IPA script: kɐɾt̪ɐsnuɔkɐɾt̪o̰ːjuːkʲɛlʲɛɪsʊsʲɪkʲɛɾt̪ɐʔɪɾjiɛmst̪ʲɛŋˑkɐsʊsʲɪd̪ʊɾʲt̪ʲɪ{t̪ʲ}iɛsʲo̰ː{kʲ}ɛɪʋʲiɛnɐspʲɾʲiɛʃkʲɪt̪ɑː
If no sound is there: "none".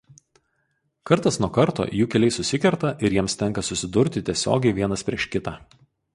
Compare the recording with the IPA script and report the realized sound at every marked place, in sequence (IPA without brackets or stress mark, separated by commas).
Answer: t̪ʲ, ɡʲ